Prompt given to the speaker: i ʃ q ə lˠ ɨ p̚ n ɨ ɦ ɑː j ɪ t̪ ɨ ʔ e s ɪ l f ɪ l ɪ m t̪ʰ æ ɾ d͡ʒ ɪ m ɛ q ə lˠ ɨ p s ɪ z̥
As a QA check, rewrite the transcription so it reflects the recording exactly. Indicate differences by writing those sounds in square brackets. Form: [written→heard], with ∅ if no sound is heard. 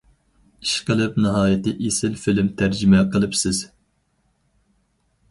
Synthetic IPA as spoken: i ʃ q ə lˠ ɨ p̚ n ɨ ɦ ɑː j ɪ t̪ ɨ ʔ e s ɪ l f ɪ l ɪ m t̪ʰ æ ɾ d͡ʒ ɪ m ɛ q ə lˠ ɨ p s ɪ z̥